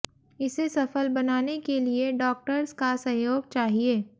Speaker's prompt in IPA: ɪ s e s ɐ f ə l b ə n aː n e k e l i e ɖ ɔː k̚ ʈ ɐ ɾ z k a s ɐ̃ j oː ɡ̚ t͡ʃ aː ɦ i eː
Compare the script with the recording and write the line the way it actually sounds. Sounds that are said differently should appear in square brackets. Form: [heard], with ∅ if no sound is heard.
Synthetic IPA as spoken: ɪ s e s ɐ f ə l b [ɐ] n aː n e k e l i e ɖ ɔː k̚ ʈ [ə] ɾ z k a s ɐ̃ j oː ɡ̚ t͡ʃ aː ɦ i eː